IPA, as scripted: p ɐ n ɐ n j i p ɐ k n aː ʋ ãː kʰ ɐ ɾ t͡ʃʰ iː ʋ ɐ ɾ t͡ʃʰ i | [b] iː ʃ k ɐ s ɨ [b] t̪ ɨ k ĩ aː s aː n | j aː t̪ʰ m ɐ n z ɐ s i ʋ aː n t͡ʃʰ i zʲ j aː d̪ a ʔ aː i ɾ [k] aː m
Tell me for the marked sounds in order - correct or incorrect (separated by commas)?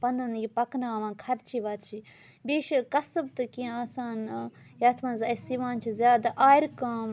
correct, correct, correct